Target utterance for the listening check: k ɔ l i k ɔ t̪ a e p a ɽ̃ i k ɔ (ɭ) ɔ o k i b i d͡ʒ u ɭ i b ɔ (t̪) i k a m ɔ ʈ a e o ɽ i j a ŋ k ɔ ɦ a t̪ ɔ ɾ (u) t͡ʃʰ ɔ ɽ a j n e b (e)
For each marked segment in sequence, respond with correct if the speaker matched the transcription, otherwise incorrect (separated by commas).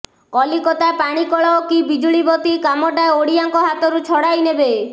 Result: correct, correct, correct, correct